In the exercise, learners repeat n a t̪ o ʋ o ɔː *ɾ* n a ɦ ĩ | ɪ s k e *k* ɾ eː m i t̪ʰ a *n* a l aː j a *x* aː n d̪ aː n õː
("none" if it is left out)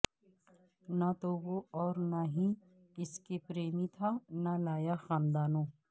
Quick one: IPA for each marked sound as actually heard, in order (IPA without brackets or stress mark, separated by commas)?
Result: ɾ, p, n, x